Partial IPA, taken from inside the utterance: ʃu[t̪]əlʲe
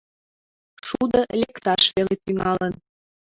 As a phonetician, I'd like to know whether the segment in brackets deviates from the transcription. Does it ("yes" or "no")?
yes